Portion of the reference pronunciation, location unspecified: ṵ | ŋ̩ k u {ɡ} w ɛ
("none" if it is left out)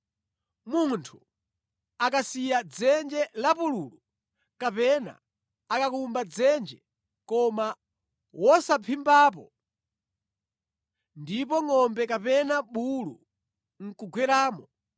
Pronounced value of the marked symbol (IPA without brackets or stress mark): ɡ